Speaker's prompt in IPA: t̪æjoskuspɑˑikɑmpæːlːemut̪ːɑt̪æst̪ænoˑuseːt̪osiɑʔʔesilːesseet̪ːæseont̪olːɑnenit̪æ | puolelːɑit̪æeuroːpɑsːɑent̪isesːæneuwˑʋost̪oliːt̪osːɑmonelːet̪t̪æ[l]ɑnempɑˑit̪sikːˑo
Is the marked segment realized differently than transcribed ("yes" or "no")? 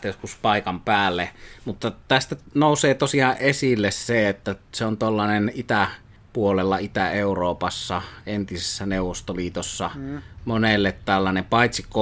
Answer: yes